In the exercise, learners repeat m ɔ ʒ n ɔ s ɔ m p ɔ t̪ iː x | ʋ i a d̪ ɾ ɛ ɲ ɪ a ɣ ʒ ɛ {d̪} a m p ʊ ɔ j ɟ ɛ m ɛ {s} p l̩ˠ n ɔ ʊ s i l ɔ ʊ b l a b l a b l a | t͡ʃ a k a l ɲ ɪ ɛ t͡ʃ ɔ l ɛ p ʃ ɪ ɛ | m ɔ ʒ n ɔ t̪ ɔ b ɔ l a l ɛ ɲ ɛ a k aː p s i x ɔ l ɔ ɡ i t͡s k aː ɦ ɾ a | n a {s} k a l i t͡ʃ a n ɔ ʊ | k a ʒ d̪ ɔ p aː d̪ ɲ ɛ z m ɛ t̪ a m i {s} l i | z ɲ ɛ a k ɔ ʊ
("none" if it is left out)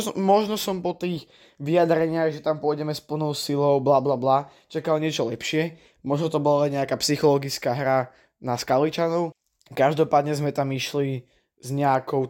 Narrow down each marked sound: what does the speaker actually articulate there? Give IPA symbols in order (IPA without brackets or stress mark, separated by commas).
t̪, s, s, ʃ